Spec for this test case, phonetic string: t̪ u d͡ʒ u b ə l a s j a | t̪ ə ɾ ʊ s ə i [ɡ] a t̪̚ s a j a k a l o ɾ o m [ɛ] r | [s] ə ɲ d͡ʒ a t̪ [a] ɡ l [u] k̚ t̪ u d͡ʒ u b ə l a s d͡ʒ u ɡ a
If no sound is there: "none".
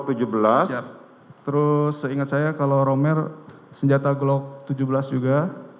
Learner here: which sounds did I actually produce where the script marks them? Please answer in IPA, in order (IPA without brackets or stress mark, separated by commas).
ŋ, ɛ, s, a, ɔ